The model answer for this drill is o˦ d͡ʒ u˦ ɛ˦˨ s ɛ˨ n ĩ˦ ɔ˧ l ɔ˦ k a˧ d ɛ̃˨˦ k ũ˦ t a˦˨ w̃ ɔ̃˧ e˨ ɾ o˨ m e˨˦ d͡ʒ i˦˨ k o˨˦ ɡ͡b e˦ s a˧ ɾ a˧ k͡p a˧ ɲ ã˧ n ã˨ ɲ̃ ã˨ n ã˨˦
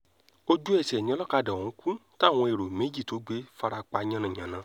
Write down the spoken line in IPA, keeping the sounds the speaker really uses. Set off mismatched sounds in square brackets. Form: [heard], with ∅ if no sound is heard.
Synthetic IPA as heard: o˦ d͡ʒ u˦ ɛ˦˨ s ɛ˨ n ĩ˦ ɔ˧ l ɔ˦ k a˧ d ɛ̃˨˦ k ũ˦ t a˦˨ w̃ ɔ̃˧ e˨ ɾ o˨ m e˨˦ d͡ʒ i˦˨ [t] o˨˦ ɡ͡b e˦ [f] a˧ ɾ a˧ k͡p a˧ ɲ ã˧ n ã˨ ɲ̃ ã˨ n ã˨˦